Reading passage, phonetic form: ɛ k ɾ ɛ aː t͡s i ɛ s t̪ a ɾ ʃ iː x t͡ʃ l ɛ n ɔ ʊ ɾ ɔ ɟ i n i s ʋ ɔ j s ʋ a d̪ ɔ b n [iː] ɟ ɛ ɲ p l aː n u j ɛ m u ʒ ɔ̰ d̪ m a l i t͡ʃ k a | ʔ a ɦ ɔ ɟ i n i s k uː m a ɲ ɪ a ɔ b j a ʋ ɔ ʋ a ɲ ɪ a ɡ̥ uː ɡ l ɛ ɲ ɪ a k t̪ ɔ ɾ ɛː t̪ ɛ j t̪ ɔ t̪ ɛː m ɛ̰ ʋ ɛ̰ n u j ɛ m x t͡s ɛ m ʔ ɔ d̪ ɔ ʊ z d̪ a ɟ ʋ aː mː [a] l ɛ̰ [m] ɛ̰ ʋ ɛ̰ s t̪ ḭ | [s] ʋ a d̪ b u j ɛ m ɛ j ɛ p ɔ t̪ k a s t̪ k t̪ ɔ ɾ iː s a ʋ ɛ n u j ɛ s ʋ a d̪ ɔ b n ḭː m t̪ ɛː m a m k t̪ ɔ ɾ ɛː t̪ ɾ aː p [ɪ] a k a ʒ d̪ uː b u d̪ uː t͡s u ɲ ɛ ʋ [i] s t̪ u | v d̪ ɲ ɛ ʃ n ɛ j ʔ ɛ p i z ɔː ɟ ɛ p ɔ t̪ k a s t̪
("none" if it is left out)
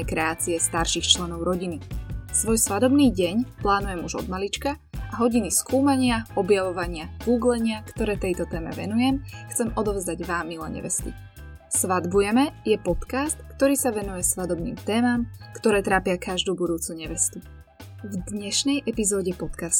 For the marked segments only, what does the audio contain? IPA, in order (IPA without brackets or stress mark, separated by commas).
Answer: iː, i, ɲ, s, ɪ, ɛ